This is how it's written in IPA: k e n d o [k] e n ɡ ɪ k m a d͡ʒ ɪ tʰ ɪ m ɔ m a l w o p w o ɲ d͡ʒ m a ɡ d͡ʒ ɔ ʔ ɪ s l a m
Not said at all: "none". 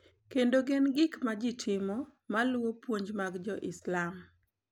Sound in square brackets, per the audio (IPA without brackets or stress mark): ɡ